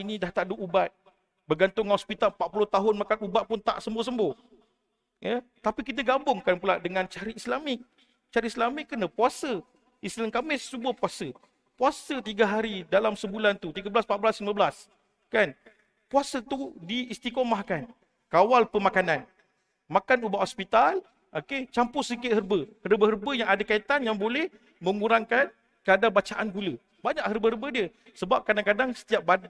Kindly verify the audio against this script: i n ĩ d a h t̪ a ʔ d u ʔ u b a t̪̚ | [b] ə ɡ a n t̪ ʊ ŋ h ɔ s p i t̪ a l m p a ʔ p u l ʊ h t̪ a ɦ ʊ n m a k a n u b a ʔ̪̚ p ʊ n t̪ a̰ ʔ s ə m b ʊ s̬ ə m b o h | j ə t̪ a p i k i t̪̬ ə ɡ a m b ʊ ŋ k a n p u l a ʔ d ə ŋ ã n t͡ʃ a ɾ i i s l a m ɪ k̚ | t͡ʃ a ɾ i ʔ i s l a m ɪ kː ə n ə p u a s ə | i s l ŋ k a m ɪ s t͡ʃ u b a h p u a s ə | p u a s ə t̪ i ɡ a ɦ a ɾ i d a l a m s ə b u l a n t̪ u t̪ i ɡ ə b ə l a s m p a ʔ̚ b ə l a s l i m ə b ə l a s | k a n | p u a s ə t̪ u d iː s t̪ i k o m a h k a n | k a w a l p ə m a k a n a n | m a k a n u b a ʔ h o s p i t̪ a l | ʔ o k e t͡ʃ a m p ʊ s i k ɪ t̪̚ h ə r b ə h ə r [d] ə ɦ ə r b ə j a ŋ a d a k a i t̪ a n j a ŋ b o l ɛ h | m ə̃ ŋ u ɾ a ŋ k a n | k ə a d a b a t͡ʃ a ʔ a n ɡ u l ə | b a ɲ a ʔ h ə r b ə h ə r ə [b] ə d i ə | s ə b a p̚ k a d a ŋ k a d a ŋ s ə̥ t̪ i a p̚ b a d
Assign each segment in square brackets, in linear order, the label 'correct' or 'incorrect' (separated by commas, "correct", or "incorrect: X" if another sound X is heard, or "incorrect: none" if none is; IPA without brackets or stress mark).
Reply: correct, incorrect: b, correct